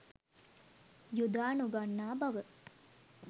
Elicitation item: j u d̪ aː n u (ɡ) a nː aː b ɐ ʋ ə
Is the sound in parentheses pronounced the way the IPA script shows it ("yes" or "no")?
yes